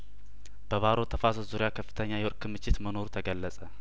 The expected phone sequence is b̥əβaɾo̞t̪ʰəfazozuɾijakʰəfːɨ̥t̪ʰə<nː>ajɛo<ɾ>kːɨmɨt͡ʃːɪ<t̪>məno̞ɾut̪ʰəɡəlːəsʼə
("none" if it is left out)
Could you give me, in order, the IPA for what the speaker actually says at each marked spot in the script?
ɲː, ɾ, t̪

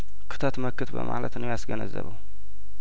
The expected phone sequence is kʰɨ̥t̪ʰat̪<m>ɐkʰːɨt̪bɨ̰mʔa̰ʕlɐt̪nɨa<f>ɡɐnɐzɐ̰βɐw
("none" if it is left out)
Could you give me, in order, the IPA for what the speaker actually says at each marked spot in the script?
m, s

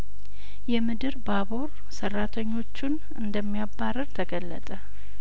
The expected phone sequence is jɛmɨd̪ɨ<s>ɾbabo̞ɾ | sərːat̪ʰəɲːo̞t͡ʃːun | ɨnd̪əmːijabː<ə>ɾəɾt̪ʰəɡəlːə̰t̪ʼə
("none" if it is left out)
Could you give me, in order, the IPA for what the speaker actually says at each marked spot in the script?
none, a

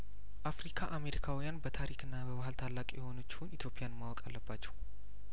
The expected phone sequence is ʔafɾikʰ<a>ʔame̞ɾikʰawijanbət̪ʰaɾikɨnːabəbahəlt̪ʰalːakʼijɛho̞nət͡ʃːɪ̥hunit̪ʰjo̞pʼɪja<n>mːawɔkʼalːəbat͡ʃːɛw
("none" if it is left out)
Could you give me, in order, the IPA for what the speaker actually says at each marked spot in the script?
a, n

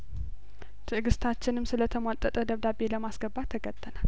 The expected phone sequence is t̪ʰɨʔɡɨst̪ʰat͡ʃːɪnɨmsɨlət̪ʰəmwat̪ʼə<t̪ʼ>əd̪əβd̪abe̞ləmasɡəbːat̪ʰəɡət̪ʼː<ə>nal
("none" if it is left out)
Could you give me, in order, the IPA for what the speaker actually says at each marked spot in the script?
t̪ʼ, ə

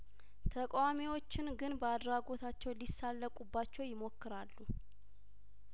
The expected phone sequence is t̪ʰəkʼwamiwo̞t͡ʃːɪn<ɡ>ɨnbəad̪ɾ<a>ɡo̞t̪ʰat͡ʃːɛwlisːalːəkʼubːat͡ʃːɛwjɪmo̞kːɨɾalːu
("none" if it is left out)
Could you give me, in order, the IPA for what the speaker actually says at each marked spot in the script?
ɡ, a

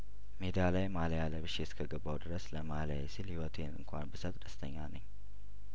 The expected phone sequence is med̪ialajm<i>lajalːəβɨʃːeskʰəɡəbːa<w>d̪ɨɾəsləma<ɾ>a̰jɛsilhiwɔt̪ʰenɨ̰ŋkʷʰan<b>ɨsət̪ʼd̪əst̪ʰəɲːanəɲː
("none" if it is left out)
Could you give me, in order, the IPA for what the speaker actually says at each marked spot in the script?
a, w, l, b

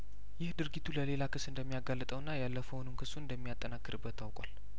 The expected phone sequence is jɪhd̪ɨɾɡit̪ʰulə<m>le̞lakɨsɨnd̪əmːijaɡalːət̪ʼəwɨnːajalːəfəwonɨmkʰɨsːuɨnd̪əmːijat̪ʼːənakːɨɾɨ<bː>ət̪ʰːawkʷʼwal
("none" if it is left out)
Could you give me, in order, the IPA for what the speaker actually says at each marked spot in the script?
none, bː

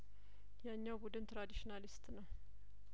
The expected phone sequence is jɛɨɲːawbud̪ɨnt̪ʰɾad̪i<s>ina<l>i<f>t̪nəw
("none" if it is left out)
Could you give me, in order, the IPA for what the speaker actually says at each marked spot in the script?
ʃ, l, s

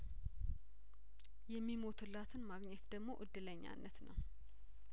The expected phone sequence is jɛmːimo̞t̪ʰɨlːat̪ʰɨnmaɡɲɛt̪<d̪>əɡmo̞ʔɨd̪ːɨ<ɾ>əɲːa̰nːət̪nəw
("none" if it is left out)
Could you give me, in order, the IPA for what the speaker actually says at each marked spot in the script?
d̪, l

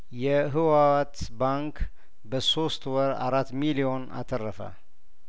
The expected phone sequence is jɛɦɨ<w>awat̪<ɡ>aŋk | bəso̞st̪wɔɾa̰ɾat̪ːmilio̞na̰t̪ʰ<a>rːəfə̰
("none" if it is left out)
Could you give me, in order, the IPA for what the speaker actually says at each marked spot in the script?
w, b, ə

